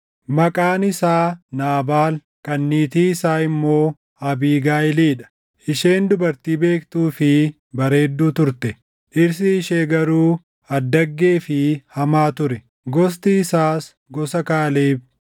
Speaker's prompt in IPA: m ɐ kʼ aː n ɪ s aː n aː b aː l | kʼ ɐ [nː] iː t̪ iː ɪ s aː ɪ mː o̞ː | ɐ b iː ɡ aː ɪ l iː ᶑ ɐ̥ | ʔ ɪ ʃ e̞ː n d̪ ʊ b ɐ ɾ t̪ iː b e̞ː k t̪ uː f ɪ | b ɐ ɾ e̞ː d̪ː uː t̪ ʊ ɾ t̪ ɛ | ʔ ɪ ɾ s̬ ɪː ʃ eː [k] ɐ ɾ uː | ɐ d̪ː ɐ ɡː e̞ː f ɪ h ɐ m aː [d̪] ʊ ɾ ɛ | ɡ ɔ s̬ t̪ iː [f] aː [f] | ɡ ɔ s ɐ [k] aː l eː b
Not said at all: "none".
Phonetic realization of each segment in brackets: nː, ɡ, t̪, s, s, k

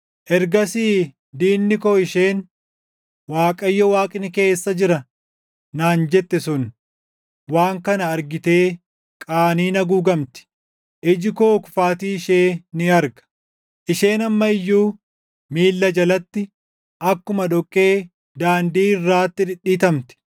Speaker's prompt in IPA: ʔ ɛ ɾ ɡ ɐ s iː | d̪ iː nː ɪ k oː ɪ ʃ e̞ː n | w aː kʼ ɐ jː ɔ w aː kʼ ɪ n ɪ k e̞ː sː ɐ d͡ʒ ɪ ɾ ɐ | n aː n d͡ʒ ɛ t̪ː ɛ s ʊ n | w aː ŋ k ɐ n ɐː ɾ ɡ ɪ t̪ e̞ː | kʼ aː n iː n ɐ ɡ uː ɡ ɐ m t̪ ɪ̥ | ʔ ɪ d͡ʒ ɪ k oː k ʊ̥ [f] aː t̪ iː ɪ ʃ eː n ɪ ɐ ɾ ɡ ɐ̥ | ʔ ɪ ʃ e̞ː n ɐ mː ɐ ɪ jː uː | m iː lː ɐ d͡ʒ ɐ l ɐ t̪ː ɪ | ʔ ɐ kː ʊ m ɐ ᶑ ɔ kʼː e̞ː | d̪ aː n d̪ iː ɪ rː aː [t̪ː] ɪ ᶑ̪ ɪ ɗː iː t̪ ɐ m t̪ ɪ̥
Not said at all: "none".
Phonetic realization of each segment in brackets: f, t̪ː

